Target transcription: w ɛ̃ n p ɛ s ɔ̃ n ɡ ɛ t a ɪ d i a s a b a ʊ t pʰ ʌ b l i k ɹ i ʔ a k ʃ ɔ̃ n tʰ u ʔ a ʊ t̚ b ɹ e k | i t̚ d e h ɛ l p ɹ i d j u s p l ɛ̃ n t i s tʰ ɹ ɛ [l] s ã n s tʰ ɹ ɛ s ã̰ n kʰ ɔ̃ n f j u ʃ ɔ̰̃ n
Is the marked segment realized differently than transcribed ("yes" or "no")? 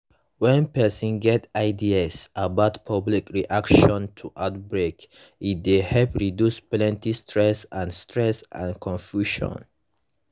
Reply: yes